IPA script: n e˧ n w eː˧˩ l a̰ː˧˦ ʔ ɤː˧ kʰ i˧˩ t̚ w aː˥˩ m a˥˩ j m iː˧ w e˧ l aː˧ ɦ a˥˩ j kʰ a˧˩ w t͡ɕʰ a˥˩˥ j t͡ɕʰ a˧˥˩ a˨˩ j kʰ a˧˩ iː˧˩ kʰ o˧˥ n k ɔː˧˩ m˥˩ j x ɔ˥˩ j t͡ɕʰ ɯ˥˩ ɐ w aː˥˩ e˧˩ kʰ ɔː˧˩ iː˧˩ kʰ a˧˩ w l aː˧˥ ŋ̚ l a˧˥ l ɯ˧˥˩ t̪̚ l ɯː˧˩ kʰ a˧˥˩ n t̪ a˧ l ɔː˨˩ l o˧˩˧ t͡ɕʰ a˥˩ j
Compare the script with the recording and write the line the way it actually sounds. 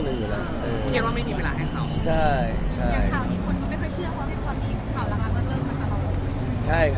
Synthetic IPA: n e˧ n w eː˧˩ l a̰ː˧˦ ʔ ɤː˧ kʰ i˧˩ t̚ w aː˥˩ m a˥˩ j m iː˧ w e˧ l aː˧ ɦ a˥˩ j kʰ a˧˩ w t͡ɕʰ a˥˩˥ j t͡ɕʰ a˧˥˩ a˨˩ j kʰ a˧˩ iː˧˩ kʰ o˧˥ n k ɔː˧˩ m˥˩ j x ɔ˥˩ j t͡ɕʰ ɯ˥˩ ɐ w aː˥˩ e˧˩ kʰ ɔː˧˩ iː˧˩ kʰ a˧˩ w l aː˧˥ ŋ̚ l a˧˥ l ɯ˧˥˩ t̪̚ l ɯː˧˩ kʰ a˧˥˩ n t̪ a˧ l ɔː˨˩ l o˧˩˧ t͡ɕʰ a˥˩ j